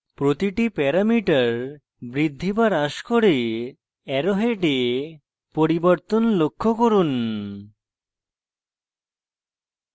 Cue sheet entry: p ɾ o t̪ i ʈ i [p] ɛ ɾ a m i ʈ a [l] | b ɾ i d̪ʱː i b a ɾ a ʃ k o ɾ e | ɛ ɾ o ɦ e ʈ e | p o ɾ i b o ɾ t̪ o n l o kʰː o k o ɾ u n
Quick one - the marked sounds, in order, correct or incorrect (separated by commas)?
correct, incorrect